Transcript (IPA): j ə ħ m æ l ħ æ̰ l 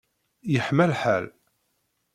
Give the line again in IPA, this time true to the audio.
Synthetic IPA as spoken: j ə ħ m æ l ħ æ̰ l